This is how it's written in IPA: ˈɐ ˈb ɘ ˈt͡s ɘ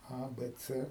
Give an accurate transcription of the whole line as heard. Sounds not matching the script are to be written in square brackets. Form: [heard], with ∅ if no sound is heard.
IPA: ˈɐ ˈb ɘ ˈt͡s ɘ